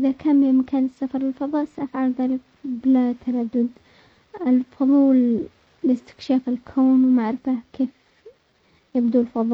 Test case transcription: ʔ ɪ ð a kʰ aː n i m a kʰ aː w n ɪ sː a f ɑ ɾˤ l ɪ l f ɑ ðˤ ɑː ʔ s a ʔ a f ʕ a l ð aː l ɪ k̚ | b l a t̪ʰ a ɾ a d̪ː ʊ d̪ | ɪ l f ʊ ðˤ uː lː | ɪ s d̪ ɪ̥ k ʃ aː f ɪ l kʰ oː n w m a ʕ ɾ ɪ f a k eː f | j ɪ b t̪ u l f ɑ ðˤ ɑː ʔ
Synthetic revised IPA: ʔ ɪ ð a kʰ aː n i m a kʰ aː n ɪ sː a f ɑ ɾˤ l ɪ l f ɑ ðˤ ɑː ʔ s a ʔ a f ʕ a l ð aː l ɪ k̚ | b l a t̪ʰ a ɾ a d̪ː ʊ d̪ | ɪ l f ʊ ðˤ uː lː | ɪ s t̪ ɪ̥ k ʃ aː f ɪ l kʰ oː n w m a ʕ ɾ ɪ f a k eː f | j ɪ b d̪ u l f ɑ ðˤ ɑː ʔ